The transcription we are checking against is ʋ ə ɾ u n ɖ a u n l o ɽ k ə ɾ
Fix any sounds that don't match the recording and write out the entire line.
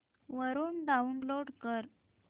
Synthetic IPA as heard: ʋ ə ɾ uː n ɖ a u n l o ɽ k ə ɾ